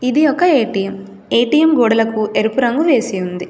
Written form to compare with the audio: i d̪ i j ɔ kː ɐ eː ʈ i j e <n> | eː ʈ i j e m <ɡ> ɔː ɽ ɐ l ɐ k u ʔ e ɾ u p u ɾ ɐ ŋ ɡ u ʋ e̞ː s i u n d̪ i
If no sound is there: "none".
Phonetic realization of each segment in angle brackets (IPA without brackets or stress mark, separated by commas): m, ɡ